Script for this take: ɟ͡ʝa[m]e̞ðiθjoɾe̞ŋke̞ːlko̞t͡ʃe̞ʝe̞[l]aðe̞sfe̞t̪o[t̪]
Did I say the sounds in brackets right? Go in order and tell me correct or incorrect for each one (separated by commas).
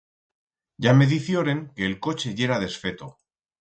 correct, incorrect, incorrect